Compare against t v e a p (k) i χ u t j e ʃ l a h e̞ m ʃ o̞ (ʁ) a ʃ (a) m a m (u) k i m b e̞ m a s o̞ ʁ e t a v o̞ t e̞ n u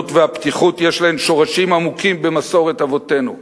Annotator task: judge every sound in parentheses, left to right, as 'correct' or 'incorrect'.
incorrect: t, correct, incorrect: i, correct

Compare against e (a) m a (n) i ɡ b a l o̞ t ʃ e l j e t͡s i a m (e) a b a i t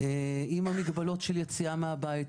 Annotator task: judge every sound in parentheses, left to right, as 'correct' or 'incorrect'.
incorrect: i, incorrect: m, correct

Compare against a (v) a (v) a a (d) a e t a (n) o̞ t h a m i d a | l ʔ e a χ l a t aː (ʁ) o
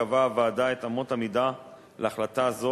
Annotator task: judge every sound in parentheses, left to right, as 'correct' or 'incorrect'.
correct, correct, correct, incorrect: m, incorrect: z

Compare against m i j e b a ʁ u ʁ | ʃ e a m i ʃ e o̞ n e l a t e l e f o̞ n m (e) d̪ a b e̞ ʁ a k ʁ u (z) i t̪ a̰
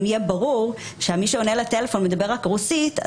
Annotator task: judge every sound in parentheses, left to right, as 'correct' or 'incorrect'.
correct, incorrect: s

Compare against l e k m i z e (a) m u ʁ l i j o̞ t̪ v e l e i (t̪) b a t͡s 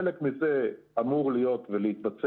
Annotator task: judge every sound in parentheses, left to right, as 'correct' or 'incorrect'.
correct, correct

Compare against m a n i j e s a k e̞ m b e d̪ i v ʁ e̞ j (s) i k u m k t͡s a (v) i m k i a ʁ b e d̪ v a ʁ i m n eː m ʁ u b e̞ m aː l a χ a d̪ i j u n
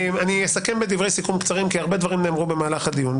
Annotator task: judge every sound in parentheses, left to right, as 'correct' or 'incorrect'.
correct, incorrect: ʁ

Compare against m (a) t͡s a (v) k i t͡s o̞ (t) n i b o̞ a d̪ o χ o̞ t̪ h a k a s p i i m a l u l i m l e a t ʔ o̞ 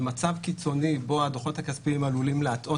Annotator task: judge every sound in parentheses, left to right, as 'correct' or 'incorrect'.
correct, correct, incorrect: none

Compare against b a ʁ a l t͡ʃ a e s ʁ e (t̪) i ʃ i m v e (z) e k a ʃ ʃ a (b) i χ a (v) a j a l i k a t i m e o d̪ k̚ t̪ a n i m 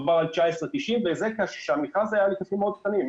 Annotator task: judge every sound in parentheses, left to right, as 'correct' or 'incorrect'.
correct, correct, incorrect: m, incorrect: z

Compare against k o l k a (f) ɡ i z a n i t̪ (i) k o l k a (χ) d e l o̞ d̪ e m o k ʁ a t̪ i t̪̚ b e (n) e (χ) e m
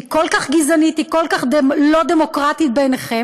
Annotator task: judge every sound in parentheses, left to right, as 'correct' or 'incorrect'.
incorrect: χ, correct, correct, correct, correct

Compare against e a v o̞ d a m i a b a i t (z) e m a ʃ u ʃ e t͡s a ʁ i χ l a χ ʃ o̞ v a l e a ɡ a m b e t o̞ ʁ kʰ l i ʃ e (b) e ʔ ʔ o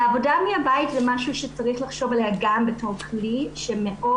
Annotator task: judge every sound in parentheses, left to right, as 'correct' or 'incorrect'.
correct, incorrect: m

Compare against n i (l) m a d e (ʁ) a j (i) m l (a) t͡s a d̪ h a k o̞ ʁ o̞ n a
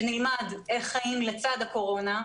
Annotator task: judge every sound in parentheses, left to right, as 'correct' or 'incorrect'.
correct, incorrect: χ, correct, incorrect: e

